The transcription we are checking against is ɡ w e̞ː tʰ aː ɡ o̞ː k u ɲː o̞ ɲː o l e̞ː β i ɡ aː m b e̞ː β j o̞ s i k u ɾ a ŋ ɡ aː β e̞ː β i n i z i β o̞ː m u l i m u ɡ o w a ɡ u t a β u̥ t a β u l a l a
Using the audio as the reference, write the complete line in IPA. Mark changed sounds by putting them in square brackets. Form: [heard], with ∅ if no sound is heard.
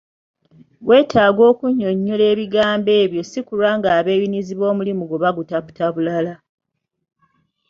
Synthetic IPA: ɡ w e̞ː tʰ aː ɡ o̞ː k u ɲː o̞ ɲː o l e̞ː β i ɡ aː m b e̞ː β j o̞ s i k u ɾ a ŋ ɡ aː β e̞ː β i n i z i β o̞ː m u l i m u ɡ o [β] a ɡ u t a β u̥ t a β u l a l a